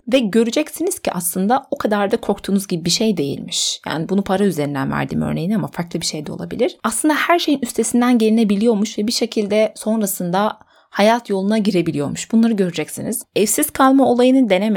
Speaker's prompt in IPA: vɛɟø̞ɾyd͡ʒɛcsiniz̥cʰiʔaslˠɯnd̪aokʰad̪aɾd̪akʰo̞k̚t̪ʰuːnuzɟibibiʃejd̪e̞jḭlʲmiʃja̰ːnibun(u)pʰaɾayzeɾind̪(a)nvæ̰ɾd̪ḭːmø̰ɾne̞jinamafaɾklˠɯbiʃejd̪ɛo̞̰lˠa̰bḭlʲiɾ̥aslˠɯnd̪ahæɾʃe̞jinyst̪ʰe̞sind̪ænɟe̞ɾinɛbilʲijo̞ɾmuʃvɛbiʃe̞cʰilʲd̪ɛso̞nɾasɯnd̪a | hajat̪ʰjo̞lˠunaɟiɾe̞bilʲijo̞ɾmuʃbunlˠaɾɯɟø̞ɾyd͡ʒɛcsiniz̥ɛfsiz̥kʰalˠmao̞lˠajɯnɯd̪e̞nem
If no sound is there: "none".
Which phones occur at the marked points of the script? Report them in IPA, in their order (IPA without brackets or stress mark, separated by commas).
u, æ